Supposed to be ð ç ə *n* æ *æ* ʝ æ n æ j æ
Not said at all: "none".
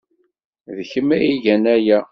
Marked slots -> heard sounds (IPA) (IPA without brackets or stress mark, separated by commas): m, i